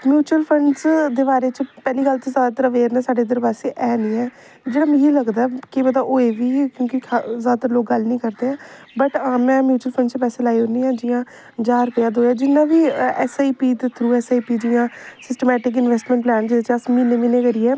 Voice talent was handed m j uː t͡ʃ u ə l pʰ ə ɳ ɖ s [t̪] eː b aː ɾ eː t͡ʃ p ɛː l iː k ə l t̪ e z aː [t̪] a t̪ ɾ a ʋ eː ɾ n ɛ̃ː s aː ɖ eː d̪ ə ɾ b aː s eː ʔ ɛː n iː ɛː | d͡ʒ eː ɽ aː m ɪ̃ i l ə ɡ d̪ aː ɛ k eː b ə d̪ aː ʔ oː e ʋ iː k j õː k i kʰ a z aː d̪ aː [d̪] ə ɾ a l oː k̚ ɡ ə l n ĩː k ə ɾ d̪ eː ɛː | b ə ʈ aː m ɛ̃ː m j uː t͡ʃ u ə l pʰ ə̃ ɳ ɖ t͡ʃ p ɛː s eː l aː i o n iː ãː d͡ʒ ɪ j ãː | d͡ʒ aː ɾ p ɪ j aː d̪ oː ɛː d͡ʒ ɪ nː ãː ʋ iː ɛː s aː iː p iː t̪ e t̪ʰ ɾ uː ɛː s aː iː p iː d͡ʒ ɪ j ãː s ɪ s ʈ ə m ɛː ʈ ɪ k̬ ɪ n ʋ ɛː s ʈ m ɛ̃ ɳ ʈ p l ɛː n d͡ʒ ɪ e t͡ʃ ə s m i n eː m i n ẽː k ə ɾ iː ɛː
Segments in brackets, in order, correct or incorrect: incorrect: d̪, incorrect: d̪, incorrect: t̪

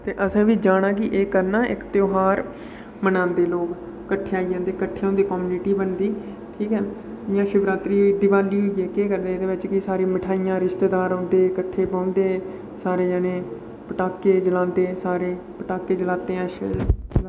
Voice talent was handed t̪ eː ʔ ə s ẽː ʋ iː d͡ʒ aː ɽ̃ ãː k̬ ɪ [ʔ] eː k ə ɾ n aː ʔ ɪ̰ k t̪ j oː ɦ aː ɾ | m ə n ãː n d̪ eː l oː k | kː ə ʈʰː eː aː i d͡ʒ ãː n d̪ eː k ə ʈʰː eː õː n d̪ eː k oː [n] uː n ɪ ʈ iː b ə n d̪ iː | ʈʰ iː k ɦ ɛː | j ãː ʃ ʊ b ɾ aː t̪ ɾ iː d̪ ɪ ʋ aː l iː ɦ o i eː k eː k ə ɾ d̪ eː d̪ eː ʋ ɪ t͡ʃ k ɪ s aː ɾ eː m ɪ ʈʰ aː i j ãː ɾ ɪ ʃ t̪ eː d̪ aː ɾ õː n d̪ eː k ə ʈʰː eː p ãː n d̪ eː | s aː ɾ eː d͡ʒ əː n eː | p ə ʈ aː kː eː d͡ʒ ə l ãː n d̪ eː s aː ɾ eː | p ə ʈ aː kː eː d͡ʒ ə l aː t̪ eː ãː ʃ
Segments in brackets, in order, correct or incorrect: correct, incorrect: m

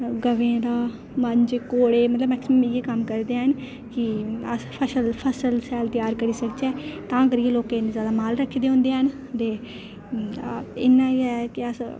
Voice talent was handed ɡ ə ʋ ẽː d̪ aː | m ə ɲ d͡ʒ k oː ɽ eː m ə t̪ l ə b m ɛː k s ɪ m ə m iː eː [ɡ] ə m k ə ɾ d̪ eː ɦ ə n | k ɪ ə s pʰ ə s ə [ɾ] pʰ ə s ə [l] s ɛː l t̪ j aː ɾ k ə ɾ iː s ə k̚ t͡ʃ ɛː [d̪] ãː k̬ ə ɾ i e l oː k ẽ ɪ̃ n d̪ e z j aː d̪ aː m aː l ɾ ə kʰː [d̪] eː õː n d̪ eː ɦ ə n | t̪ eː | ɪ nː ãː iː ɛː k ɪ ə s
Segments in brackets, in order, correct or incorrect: incorrect: k, incorrect: l, correct, incorrect: t̪, correct

